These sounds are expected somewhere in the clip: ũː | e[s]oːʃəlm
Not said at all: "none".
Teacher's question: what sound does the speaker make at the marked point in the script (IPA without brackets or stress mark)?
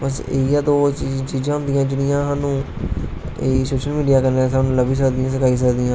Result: s